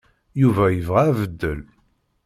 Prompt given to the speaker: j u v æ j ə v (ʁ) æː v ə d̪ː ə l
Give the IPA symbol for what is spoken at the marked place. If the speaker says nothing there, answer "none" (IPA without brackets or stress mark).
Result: ʁ